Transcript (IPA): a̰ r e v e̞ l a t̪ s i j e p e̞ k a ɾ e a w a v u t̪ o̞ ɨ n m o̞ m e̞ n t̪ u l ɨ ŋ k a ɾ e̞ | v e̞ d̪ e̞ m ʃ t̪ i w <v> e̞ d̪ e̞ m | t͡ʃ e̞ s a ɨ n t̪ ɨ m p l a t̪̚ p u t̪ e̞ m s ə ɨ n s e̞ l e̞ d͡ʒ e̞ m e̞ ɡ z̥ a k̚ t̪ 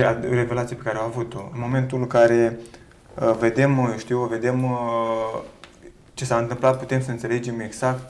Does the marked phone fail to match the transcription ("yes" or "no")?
no